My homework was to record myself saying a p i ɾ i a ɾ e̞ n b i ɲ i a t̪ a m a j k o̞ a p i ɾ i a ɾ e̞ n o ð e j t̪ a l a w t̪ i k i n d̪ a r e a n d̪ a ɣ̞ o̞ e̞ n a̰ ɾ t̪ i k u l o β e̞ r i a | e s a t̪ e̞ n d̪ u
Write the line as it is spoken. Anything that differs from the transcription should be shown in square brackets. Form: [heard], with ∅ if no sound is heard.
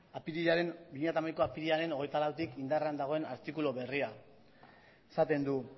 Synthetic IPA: a p i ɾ i a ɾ e̞ n b i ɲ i a t̪ a m a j k o̞ a p i ɾ i a ɾ e̞ n o [ɣ] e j t̪ a l a w t̪ i k i n d̪ a r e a n d̪ a ɣ̞ o̞ e̞ n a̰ ɾ t̪ i k u l o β e̞ r i a | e s a t̪ e̞ n d̪ u